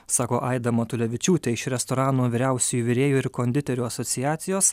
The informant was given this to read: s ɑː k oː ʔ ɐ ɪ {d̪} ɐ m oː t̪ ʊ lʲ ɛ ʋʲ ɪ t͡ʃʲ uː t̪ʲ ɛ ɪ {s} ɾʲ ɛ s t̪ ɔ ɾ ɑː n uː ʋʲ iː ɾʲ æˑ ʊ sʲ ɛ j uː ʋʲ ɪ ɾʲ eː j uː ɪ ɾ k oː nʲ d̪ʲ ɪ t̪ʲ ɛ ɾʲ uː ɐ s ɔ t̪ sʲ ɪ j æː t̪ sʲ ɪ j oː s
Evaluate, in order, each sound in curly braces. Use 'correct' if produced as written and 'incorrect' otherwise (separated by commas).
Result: correct, incorrect